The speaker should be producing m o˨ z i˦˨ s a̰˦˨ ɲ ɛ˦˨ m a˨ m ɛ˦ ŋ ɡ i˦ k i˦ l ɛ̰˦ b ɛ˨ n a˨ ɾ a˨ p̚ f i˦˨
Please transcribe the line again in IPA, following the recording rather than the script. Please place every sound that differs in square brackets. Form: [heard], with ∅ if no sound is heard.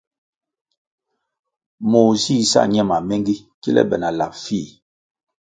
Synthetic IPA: m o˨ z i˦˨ s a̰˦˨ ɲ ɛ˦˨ m a˨ m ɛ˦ ŋ ɡ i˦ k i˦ l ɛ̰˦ b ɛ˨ n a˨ [l] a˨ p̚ f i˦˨